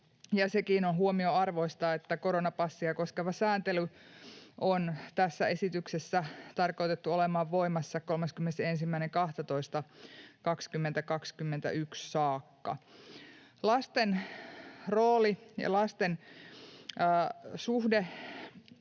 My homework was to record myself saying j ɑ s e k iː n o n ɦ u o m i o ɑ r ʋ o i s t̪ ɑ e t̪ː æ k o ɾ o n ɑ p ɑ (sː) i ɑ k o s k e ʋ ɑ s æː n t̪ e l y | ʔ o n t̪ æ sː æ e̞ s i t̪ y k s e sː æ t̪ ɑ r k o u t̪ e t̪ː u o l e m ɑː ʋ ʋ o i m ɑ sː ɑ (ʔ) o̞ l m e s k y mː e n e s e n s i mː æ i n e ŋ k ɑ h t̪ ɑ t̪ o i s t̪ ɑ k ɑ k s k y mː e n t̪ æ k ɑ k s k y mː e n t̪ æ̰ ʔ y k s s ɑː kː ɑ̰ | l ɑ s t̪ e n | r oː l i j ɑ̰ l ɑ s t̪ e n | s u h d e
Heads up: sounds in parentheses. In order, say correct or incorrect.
correct, incorrect

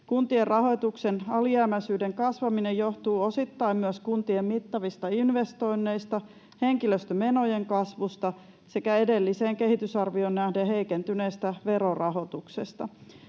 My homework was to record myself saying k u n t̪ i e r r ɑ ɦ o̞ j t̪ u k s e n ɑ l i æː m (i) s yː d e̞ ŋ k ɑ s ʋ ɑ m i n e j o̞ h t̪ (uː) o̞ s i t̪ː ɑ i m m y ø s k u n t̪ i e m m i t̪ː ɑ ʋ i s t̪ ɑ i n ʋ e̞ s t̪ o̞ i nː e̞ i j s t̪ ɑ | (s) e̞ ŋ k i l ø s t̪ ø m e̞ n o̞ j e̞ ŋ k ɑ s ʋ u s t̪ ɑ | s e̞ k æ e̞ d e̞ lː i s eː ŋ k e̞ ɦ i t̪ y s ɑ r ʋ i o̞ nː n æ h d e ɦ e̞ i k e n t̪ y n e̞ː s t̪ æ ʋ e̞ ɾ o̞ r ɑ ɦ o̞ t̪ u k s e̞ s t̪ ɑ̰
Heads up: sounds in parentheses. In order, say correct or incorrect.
incorrect, correct, incorrect

